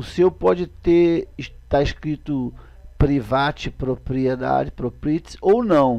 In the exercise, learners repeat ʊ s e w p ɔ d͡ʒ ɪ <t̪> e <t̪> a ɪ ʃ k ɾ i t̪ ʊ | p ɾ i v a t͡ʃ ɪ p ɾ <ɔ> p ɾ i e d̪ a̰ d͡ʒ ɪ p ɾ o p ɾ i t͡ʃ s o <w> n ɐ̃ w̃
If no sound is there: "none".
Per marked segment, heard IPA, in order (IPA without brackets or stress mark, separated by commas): t̪, t̪, o, w